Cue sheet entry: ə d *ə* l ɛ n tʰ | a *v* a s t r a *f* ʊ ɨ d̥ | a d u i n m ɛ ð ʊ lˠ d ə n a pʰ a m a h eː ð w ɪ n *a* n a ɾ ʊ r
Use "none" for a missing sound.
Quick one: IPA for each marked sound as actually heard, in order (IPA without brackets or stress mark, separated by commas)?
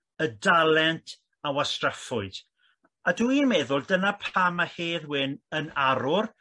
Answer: a, w, f, ə